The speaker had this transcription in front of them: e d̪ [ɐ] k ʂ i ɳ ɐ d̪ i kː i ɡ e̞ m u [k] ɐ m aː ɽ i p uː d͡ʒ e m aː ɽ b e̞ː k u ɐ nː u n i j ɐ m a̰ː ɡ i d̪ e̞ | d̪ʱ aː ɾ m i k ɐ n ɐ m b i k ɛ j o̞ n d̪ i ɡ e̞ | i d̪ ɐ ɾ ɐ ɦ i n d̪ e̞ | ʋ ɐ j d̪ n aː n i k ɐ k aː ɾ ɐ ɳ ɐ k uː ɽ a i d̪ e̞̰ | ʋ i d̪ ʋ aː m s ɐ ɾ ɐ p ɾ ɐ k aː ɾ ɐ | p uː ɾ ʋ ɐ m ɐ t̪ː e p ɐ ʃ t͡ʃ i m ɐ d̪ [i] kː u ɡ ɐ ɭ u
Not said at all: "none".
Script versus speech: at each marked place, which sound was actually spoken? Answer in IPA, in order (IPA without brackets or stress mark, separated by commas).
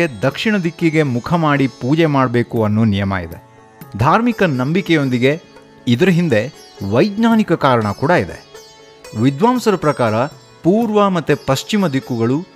ɐ, kʰ, i